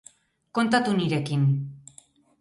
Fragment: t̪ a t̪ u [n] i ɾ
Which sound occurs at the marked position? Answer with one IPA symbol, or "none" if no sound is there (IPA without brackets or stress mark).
n